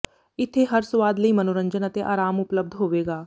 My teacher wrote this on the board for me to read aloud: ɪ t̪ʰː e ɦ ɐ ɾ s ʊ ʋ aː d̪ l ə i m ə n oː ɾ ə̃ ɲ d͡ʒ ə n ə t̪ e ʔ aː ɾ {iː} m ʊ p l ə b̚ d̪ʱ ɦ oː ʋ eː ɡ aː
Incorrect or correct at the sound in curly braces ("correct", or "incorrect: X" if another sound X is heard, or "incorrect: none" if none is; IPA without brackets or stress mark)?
incorrect: aː